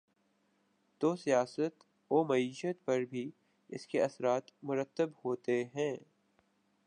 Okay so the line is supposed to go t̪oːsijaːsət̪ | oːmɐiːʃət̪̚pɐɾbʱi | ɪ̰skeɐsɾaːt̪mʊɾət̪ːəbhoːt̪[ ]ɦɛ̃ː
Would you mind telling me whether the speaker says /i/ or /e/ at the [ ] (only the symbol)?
e